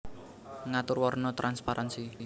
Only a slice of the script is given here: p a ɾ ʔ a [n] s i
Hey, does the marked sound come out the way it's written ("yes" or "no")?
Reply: yes